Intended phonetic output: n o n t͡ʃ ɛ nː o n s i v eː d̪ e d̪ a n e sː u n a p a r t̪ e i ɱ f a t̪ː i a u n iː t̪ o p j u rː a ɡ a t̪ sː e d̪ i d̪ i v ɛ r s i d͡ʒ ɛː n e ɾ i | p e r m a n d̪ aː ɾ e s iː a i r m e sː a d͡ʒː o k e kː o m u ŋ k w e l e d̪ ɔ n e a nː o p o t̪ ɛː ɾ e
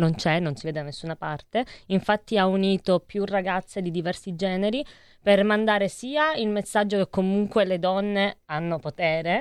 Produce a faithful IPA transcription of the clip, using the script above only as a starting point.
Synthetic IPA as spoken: n o n t͡ʃ ɛ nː o n s i v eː d̪ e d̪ a n e sː u n a p a r t̪ e i ɱ f a t̪ː i a u n iː t̪ o p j u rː a ɡ a t̪ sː e d̪ i d̪ i v ɛ r s i d͡ʒ ɛː n e ɾ i | p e r m a n d̪ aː ɾ e s iː a i l m e sː a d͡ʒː o k e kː o m u ŋ k w e l e d̪ ɔ nː e a nː o p o t̪ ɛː ɾ e